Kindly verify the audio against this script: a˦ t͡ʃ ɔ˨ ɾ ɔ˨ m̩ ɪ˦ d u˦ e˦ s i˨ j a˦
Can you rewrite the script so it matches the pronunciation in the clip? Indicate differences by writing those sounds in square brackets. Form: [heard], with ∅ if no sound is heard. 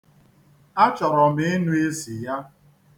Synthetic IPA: a˦ t͡ʃ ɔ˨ ɾ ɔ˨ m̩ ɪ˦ [n] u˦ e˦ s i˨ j a˦